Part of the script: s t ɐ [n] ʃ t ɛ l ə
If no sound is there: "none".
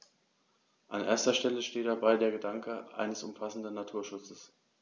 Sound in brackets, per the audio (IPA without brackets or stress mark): none